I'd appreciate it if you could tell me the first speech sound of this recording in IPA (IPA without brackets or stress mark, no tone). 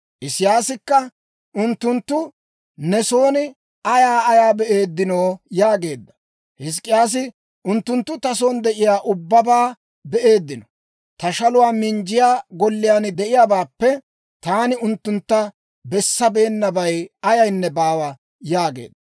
ʔ